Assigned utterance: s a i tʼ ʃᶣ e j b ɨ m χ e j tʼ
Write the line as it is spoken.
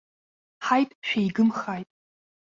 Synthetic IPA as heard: ħ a j tʼ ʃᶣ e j ɡ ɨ m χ a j tʼ